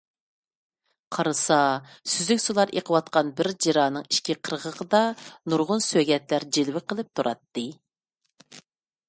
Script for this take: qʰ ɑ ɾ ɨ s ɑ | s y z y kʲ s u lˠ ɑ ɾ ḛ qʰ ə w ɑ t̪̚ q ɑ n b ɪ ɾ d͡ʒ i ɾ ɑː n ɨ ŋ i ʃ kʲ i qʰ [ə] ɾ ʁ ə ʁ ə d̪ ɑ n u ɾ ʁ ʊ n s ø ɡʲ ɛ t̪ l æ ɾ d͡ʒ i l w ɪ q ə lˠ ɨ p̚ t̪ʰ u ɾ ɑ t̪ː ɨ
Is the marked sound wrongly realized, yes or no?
no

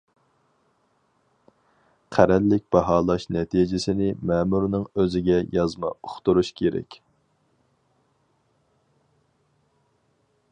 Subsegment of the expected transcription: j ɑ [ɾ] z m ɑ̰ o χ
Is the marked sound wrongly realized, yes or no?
yes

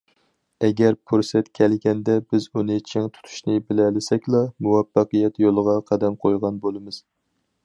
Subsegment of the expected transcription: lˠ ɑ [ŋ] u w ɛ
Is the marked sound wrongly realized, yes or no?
yes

